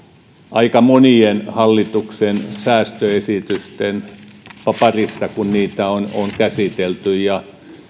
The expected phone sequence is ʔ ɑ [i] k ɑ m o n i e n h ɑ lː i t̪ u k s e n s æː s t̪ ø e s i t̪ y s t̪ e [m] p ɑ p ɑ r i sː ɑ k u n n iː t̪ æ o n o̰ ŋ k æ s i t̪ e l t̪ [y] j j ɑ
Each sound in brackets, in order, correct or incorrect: correct, incorrect: n, correct

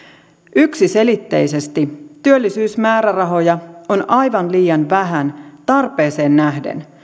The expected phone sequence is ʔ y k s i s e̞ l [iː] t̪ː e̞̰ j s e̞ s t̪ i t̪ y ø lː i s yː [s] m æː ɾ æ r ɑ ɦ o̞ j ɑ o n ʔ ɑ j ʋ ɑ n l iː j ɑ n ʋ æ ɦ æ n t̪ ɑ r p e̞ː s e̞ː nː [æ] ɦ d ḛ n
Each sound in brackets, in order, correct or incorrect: incorrect: i, correct, correct

